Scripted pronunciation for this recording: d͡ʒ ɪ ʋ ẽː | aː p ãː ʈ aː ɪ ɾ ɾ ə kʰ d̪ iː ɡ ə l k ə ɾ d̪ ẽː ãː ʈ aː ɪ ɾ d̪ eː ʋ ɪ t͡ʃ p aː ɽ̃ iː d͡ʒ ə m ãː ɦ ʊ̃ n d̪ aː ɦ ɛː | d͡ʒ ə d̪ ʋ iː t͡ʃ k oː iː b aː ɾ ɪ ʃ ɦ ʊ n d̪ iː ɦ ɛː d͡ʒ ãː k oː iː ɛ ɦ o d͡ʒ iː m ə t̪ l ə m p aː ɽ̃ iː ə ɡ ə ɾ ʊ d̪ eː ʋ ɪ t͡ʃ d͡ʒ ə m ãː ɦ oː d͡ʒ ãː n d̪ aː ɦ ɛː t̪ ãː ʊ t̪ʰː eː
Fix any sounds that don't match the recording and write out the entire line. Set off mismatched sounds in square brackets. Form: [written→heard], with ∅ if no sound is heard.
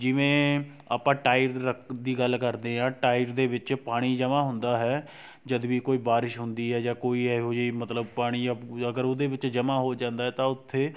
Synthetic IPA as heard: d͡ʒ ɪ ʋ ẽː | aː p ãː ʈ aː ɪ ɾ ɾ ə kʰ d̪ iː ɡ ə l k ə ɾ d̪ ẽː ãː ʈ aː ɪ ɾ d̪ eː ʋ ɪ t͡ʃ p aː ɽ̃ iː d͡ʒ ə m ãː ɦ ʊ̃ n d̪ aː ɦ ɛː | d͡ʒ ə d̪ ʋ iː [t͡ʃ→∅] k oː iː b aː ɾ ɪ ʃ ɦ ʊ n d̪ iː ɦ ɛː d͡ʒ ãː k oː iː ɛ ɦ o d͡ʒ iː m ə t̪ l ə [m→b] p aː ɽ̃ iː ə ɡ ə ɾ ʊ d̪ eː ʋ ɪ t͡ʃ d͡ʒ ə m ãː ɦ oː d͡ʒ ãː n d̪ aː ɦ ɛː t̪ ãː ʊ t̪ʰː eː